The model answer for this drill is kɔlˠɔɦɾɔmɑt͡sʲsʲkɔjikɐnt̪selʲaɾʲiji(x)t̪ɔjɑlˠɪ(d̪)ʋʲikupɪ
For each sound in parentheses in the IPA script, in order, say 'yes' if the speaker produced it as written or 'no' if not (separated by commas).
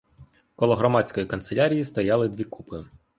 no, yes